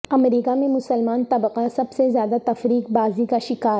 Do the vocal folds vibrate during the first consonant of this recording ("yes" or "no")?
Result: yes